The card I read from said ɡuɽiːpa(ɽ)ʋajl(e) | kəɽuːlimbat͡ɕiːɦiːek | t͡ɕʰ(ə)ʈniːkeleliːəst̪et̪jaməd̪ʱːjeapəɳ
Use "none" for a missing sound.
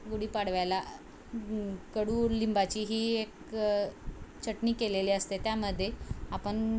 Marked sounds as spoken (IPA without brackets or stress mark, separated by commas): ɽ, a, ə